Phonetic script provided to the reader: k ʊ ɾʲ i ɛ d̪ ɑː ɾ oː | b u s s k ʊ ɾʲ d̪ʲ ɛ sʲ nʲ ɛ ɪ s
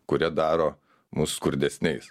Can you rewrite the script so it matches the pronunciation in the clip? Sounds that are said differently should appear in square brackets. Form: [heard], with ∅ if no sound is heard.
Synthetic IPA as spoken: k ʊ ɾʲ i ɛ d̪ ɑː ɾ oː | [m] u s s k ʊ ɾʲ d̪ʲ ɛ sʲ nʲ ɛ ɪ s